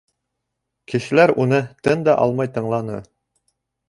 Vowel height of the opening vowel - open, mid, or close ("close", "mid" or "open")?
mid